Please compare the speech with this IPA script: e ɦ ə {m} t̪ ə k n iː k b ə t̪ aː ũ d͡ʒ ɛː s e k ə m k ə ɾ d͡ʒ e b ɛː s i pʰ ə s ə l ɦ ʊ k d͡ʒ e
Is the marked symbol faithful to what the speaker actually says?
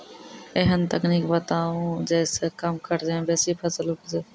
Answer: no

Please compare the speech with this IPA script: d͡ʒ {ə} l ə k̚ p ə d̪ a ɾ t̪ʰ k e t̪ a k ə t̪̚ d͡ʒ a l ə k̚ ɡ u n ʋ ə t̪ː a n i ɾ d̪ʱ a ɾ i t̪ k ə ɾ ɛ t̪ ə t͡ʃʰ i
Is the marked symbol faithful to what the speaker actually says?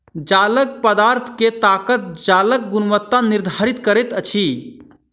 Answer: no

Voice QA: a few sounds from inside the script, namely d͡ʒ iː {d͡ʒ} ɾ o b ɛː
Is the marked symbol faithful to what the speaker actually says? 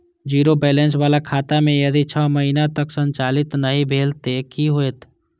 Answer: no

